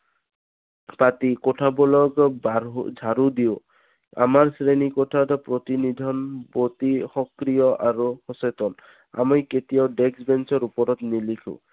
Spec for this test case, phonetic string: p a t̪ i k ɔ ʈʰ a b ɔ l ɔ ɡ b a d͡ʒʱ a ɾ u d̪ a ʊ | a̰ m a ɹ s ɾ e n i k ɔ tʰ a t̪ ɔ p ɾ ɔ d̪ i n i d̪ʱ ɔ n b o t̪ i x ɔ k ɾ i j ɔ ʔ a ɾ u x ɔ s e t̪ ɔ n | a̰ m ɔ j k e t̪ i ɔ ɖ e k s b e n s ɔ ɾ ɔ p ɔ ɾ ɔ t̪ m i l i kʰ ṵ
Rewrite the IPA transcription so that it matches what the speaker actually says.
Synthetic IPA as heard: p a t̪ i k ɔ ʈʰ a b ɔ l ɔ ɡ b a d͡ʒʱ a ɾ u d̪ i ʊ | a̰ m a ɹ s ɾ e n i k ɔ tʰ a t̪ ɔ p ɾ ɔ t̪ i n i d̪ʱ ɔ n b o t̪ i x ɔ k ɾ i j ɔ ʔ a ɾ u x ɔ s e t̪ ɔ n | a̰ m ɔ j k e t̪ i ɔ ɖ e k s b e n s ɔ ɾ u p ɔ ɾ ɔ t̪ n i l i kʰ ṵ